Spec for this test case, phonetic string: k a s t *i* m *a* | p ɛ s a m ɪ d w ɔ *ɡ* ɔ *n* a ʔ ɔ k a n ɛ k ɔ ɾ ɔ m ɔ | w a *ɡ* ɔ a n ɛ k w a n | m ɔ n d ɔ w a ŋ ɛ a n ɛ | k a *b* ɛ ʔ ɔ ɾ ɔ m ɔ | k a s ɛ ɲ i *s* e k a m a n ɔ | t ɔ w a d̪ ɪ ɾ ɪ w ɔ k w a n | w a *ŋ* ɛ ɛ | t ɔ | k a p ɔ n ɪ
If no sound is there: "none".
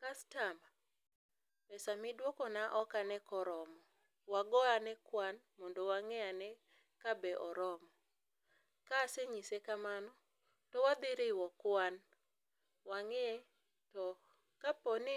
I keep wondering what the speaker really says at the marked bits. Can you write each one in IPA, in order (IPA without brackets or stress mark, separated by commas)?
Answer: a, a, k, n, ɡ, b, s, ŋ